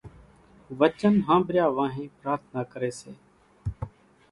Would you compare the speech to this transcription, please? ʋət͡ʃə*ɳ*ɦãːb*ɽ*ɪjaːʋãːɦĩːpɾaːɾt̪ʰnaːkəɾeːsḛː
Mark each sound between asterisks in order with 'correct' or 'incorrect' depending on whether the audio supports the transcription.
incorrect: n, incorrect: ɾ

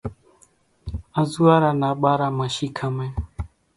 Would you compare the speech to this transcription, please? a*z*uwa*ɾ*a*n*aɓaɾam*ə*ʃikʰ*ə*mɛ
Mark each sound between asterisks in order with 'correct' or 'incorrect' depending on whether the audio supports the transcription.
correct, correct, correct, incorrect: a, incorrect: a

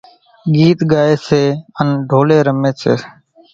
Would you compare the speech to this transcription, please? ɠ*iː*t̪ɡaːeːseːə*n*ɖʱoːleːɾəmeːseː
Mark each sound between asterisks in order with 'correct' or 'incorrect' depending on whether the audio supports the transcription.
correct, correct

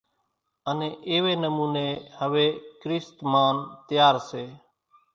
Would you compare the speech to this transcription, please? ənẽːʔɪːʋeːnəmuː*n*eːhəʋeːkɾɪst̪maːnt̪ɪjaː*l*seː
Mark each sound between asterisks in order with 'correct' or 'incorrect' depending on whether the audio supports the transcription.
correct, incorrect: ɾ

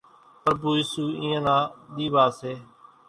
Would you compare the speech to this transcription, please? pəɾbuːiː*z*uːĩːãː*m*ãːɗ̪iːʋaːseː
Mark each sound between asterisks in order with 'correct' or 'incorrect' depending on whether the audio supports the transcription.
incorrect: s, incorrect: n

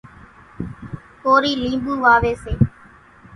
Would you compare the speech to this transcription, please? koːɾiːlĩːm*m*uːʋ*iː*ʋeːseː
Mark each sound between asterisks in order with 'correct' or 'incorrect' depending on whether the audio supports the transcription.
incorrect: b, incorrect: aː

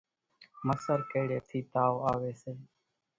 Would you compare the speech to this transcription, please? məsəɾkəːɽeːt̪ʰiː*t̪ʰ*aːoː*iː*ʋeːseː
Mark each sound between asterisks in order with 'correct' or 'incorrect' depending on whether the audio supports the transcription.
incorrect: t̪, incorrect: aː

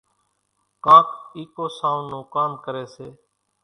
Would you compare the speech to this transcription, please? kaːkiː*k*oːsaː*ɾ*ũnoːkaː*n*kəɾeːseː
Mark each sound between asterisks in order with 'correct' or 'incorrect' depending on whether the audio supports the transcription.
correct, incorrect: none, correct

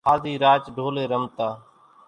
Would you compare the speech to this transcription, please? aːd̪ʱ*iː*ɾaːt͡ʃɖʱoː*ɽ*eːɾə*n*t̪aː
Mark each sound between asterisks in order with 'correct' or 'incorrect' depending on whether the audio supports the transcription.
correct, incorrect: l, incorrect: m

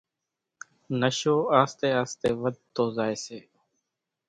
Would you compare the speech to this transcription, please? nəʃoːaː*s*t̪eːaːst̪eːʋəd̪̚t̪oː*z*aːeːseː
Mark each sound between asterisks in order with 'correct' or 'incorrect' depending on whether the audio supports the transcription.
correct, correct

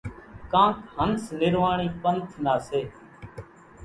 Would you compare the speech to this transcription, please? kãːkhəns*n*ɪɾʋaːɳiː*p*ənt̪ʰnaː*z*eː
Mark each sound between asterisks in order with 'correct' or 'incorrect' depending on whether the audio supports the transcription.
correct, correct, incorrect: s

